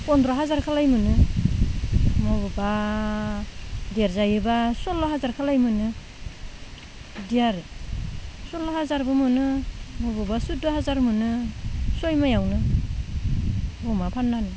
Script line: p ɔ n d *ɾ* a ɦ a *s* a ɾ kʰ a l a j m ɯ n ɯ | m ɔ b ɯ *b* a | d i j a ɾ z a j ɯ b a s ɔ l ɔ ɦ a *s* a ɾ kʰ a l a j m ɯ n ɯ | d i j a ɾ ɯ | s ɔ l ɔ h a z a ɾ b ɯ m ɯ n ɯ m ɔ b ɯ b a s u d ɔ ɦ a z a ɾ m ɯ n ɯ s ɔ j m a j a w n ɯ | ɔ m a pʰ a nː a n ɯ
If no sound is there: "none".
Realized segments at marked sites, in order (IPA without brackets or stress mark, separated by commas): ɾ, z, b, z